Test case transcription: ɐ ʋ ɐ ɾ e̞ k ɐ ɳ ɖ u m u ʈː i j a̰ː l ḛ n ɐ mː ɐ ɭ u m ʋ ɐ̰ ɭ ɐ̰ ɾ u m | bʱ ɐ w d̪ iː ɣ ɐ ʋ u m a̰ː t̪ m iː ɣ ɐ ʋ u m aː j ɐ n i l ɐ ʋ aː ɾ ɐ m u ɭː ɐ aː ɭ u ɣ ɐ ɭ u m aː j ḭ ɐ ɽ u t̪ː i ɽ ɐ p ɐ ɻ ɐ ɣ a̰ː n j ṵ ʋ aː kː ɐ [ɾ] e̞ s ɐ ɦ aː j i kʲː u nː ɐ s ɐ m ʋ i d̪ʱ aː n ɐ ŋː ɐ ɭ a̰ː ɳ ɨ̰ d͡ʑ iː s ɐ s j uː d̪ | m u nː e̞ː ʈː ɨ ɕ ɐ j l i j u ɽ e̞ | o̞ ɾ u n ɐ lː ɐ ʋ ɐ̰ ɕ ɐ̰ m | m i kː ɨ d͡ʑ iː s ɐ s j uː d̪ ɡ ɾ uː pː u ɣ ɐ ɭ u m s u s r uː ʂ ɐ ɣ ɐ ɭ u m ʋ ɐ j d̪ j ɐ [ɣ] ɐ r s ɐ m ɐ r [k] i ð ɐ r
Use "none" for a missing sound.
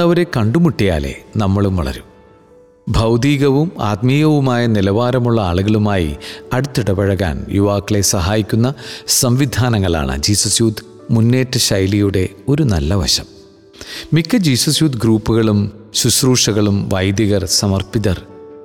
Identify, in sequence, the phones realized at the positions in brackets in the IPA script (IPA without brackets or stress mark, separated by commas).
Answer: ɭ, ɣ, p